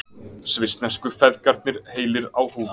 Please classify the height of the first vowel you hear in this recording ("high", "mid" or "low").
high